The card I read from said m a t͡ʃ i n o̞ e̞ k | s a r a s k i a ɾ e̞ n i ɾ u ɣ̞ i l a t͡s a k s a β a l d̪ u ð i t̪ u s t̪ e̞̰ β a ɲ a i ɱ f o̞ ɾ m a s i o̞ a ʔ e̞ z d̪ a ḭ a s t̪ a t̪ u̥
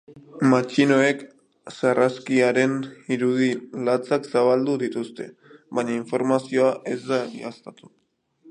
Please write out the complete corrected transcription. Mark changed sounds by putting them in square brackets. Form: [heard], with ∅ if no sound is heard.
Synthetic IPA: m a t͡ʃ i n o̞ e̞ k | s a r a s k i a ɾ e̞ n i ɾ u [ð̞] i l a t͡s a k s a β a l d̪ u ð i t̪ u s t̪ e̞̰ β a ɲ a i ɱ f o̞ ɾ m a s i o̞ a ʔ e̞ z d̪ a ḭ a s t̪ a t̪ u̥